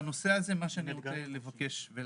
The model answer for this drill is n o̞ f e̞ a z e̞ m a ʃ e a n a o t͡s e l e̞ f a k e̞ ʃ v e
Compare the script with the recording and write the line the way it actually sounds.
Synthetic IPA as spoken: n o̞ s e̞ a z e̞ m a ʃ e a n i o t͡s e l e̞ v a k e̞ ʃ v e